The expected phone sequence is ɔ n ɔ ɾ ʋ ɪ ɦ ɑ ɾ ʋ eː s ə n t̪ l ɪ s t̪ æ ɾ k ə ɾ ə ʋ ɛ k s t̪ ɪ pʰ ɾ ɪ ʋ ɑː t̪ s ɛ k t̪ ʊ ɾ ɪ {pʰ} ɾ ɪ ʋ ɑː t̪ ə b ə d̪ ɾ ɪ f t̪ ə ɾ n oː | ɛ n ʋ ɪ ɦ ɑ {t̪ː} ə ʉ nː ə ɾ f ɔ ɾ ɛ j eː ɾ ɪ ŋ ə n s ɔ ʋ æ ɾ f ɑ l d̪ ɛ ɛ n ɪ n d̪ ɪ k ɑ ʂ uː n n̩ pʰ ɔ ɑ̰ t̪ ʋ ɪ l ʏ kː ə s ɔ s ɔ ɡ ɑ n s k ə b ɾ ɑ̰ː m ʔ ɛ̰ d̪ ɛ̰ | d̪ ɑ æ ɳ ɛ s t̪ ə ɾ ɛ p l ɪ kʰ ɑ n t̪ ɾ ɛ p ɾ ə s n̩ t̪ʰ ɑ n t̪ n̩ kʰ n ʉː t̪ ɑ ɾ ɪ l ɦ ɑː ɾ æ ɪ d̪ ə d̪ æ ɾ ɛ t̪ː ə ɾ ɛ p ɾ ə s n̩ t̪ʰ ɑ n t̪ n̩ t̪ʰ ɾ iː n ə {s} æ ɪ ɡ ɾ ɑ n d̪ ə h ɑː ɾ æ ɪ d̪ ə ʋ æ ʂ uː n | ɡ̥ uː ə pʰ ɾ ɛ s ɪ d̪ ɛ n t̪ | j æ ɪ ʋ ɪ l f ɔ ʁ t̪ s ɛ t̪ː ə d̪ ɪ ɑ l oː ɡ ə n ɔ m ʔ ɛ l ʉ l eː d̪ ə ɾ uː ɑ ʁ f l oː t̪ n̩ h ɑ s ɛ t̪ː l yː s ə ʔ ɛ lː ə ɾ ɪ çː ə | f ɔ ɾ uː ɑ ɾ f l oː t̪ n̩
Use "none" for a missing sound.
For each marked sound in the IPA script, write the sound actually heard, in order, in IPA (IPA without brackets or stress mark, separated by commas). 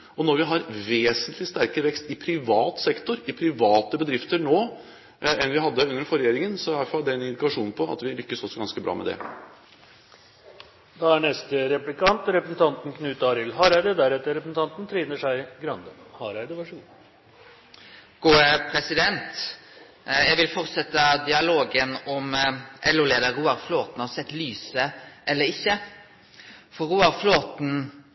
pʰ, d̪ː, ʂ